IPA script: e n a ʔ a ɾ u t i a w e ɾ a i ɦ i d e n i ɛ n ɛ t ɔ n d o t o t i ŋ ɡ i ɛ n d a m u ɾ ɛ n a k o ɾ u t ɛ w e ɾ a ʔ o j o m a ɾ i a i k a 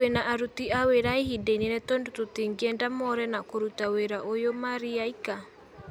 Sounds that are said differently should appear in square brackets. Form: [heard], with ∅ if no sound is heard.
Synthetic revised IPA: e n a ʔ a ɾ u t i a w e ɾ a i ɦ i d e n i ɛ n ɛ t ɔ n d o t o t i ŋ ɡ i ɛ n d a m [ɔ] ɾ ɛ n a k o ɾ u t [a] w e ɾ a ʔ o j o m a ɾ i a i k a